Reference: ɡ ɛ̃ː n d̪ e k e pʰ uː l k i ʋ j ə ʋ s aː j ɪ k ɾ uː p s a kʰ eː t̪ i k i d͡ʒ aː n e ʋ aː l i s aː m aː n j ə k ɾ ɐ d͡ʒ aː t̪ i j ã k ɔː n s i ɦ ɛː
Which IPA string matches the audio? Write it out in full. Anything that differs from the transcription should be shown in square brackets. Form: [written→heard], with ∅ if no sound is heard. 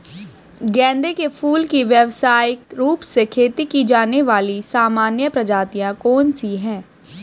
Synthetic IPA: ɡ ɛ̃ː n d̪ e k e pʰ uː l k i ʋ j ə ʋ s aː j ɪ k ɾ uː p s [a→e] kʰ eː t̪ i k i d͡ʒ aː n e ʋ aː l i s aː m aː n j ə [k→p] ɾ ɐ d͡ʒ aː t̪ i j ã k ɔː n s i ɦ [ɛː→ɛ̃ː]